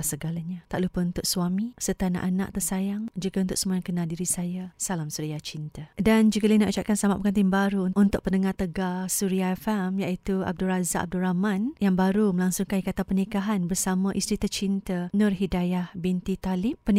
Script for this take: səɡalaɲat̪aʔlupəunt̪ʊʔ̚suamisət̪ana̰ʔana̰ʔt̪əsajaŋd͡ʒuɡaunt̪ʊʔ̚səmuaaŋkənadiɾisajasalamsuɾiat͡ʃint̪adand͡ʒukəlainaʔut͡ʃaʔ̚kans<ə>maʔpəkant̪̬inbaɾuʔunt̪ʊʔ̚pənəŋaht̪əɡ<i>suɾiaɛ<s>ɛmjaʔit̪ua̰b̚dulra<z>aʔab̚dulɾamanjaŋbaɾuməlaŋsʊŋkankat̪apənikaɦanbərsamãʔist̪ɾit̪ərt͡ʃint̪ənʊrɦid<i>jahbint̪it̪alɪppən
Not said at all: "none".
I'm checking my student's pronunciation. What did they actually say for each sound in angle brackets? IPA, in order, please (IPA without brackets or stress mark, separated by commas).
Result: a, a, f, z, a